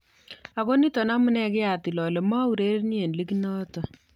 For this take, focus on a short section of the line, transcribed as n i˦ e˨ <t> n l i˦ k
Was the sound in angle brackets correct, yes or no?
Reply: no